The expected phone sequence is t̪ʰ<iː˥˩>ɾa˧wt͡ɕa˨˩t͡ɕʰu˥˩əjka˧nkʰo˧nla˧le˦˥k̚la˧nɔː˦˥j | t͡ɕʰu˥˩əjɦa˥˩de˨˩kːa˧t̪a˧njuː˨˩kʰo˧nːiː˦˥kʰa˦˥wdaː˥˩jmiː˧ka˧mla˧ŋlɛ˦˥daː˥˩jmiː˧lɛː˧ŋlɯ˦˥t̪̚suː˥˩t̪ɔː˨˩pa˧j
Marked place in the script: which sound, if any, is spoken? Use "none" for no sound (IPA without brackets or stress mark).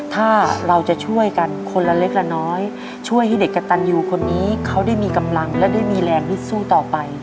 aː˥˩